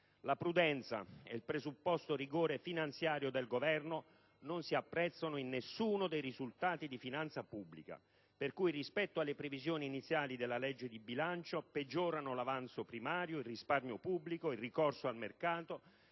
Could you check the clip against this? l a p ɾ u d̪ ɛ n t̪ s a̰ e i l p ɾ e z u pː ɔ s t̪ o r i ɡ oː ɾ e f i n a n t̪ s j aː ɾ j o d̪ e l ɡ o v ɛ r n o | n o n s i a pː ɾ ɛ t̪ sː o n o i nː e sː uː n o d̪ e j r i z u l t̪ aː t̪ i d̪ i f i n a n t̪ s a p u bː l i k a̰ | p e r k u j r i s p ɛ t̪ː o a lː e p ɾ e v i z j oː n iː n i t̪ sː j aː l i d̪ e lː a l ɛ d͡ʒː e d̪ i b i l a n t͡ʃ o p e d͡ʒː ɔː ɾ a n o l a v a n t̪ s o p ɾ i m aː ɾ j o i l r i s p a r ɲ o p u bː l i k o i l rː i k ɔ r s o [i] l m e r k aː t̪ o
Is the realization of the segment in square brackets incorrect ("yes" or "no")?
yes